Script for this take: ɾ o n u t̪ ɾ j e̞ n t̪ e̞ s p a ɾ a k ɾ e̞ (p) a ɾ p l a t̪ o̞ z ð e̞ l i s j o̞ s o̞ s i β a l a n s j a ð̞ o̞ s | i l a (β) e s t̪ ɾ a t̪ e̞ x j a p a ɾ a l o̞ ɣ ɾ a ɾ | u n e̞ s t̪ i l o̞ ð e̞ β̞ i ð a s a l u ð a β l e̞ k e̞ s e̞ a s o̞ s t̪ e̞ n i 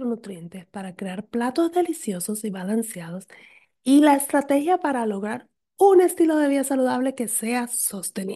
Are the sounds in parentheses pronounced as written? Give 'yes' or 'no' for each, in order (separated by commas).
no, no